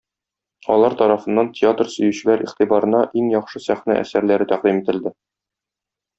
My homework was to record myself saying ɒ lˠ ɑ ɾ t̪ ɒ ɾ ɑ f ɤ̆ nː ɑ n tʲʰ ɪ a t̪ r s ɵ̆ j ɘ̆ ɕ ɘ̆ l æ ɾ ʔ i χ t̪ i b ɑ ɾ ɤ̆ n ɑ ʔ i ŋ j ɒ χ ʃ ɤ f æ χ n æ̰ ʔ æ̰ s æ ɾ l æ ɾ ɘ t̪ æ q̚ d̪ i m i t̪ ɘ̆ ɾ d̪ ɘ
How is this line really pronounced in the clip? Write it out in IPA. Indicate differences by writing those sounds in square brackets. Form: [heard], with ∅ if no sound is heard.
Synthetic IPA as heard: ɒ lˠ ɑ ɾ t̪ ɒ ɾ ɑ f ɤ̆ nː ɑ n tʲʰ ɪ a t̪ r s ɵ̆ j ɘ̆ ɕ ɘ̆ l æ ɾ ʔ i χ t̪ i b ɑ ɾ ɤ̆ n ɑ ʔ i ŋ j ɒ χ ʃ ɤ [s] æ χ n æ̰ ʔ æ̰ s æ ɾ l æ ɾ ɘ t̪ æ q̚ d̪ i m i t̪ ɘ̆ [l] d̪ ɘ

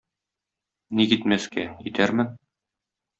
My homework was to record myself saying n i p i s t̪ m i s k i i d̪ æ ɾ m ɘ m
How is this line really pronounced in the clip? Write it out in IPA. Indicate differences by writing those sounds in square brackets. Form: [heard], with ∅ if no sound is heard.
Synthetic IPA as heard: n i [k] i [∅] t̪ m [æ] s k [æ] i [t̪] æ ɾ m ɘ [n]

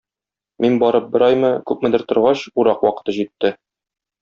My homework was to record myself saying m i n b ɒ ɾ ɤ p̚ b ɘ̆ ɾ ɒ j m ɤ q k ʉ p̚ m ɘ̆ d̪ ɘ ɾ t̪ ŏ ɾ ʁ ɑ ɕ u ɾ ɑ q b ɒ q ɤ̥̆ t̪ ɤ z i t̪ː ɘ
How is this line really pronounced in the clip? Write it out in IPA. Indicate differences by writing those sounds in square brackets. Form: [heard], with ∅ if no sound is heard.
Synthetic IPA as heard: m i n b ɒ ɾ ɤ p̚ b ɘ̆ ɾ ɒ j m ɤ [∅] k ʉ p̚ m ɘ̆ d̪ ɘ ɾ t̪ ŏ ɾ ʁ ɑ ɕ u ɾ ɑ q [w] ɒ q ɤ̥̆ t̪ ɤ [ʑ] i t̪ː ɘ

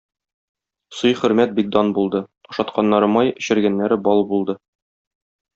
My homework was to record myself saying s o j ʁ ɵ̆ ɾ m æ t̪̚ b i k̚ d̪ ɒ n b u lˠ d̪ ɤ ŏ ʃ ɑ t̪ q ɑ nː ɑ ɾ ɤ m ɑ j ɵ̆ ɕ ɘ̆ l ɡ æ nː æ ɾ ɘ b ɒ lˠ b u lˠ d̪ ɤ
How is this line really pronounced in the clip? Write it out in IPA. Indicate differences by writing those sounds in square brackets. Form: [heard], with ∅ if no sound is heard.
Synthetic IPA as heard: s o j [χ] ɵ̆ ɾ m æ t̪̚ b i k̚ d̪ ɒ n b u lˠ d̪ ɤ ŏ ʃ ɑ t̪ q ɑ nː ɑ ɾ ɤ m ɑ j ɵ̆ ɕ ɘ̆ [ɾ] ɡ æ nː æ ɾ ɘ b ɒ lˠ b u lˠ d̪ ɤ

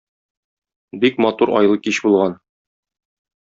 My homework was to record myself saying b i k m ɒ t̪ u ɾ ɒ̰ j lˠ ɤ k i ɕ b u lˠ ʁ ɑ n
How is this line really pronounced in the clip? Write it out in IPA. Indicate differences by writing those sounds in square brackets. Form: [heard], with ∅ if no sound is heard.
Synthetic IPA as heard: b i k m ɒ t̪ u ɾ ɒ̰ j lˠ ɤ k i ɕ b u lˠ ʁ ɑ n

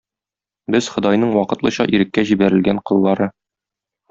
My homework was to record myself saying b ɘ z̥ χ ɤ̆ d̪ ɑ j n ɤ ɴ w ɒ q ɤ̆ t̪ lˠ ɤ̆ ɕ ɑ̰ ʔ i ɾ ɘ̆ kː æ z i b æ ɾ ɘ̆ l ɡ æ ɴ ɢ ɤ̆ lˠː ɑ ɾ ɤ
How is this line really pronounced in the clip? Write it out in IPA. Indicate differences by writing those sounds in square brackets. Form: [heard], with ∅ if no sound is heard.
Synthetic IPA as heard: b ɘ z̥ χ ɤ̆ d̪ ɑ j n ɤ ɴ w ɒ q ɤ̆ t̪ lˠ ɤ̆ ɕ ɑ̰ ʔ i ɾ ɘ̆ kː æ [ʑ] i b æ ɾ ɘ̆ l ɡ æ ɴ [q] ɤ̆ lˠː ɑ ɾ ɤ

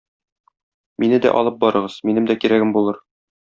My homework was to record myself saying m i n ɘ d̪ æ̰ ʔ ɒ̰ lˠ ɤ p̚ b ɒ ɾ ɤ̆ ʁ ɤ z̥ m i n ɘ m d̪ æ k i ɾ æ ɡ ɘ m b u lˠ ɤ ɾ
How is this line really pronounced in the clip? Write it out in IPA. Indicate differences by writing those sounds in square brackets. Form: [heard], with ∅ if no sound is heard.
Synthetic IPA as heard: m i n ɘ d̪ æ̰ ʔ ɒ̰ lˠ ɤ p̚ b ɒ ɾ ɤ̆ ʁ ɤ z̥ m i n ɘ m d̪ æ k i ɾ æ ɡ ɘ m b u lˠ ɤ ɾ

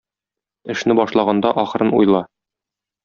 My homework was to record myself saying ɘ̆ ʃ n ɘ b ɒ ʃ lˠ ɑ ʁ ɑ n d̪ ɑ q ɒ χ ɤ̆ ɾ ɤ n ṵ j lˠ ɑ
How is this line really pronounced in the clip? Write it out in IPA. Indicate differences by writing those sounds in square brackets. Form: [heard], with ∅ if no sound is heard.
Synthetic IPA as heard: ɘ̆ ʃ n ɘ b ɒ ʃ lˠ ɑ ʁ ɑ n d̪ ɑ [ʔ] ɒ χ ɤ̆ ɾ ɤ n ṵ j lˠ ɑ

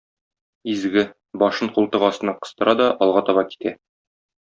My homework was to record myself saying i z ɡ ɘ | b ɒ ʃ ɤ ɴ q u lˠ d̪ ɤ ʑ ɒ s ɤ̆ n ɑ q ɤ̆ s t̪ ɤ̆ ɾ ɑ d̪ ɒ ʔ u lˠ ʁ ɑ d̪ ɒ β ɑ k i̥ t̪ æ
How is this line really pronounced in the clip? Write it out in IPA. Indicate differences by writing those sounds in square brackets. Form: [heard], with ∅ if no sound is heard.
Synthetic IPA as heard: i z ɡ ɘ | b ɒ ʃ ɤ ɴ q u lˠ [t̪] ɤ [ʁ] ɒ s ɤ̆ n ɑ q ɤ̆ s t̪ ɤ̆ ɾ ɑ d̪ ɒ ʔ [ɒ] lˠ ʁ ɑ [t̪] ɒ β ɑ k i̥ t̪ æ

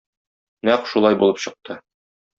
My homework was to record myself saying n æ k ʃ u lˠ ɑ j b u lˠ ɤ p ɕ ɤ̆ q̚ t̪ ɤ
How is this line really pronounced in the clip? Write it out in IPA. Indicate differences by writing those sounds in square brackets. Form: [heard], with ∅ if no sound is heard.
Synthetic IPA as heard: n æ [q] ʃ u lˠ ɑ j b u lˠ ɤ p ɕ ɤ̆ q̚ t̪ ɤ

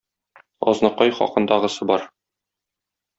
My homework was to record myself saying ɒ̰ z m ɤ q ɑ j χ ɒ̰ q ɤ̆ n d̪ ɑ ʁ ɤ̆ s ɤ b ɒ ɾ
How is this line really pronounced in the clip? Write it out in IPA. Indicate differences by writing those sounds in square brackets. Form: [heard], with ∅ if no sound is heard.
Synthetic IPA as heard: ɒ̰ z [n] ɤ q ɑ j χ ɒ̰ q ɤ̆ n d̪ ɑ ʁ ɤ̆ s ɤ b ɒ ɾ

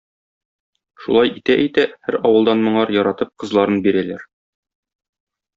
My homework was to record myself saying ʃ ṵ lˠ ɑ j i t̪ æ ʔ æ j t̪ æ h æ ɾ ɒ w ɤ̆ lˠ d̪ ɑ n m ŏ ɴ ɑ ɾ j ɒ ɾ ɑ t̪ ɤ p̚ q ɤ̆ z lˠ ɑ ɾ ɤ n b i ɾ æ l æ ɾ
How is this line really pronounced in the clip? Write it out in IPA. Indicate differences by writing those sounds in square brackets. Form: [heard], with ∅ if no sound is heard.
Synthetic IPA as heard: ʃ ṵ lˠ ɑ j i t̪ æ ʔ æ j t̪ æ h æ ɾ ɒ w ɤ̆ lˠ d̪ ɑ n m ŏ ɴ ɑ ɾ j ɒ ɾ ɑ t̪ ɤ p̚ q ɤ̆ z lˠ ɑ ɾ ɤ n b i ɾ æ l æ ɾ

